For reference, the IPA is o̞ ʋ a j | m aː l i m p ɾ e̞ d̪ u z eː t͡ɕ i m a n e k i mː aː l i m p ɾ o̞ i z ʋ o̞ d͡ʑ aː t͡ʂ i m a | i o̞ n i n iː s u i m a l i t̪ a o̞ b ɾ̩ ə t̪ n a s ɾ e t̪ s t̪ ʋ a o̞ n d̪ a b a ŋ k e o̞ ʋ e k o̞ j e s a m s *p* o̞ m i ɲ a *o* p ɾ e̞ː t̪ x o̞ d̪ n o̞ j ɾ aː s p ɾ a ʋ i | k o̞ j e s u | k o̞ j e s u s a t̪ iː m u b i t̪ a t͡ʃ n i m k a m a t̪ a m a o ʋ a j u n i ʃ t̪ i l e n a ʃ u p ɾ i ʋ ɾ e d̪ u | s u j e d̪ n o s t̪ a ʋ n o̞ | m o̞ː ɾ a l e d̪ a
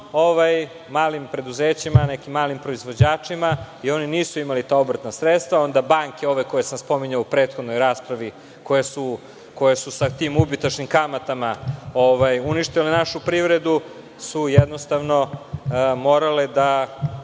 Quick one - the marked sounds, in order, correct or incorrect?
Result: correct, incorrect: u

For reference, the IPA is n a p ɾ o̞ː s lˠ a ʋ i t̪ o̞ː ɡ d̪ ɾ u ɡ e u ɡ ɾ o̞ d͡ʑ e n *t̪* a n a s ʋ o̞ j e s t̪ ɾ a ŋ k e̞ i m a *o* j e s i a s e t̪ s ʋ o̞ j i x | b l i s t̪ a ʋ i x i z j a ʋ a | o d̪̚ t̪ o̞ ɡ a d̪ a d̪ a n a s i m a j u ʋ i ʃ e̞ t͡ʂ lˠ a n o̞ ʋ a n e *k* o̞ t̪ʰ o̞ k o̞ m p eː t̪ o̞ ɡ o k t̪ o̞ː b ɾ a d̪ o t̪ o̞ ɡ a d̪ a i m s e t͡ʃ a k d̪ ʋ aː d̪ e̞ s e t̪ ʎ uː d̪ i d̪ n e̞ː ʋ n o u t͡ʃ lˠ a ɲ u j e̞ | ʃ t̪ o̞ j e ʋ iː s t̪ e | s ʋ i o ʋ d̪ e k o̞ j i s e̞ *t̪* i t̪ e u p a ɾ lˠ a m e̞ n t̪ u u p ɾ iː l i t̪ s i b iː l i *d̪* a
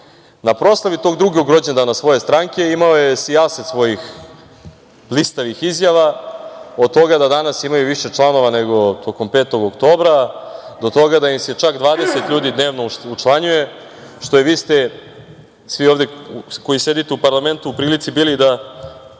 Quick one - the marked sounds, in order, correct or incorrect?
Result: incorrect: d̪, correct, incorrect: ɡ, incorrect: d̪, correct

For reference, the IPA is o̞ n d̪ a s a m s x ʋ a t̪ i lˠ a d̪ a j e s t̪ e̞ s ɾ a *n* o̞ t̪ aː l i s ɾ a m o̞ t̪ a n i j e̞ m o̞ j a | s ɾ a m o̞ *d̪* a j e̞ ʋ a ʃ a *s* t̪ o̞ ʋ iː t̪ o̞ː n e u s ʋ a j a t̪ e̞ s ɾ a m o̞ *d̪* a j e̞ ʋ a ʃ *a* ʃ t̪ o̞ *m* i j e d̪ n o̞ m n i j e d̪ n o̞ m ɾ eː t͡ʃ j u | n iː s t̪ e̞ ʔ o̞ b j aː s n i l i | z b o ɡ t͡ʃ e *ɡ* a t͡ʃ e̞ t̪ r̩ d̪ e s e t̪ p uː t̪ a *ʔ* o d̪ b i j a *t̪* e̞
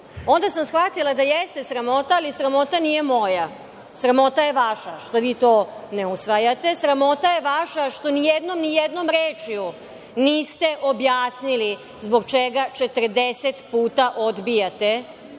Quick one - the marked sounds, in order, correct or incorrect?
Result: incorrect: m, incorrect: t̪, incorrect: ʃ, incorrect: t̪, correct, incorrect: n, correct, correct, correct

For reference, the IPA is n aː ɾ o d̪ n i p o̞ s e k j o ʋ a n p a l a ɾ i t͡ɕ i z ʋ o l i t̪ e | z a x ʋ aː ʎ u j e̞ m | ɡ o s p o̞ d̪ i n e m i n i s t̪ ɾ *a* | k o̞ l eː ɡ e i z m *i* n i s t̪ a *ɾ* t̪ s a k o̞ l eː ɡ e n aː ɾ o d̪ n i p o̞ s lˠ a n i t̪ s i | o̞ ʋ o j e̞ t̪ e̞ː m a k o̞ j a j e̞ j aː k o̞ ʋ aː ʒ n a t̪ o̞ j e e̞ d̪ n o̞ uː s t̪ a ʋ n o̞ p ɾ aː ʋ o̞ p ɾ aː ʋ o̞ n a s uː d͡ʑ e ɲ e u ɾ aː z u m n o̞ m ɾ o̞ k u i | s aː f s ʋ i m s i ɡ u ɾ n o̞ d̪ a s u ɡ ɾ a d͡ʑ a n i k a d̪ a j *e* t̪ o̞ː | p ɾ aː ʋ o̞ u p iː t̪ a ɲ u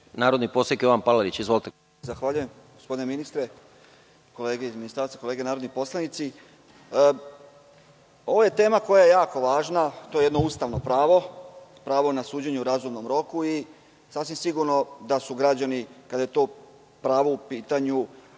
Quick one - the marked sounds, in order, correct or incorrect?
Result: incorrect: e, correct, correct, correct

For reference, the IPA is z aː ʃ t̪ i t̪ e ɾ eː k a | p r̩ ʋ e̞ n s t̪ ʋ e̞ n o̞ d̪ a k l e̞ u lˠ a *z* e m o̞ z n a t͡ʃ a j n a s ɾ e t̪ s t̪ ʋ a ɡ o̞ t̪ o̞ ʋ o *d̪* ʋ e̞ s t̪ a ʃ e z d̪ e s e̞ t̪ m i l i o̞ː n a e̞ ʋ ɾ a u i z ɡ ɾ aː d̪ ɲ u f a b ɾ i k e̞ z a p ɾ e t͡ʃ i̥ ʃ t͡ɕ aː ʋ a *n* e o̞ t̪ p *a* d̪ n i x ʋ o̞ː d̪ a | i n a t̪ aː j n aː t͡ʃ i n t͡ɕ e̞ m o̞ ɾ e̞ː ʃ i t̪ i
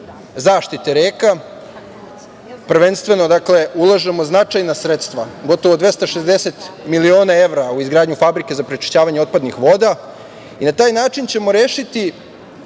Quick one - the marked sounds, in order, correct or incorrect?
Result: incorrect: ʒ, correct, incorrect: ɲ, correct

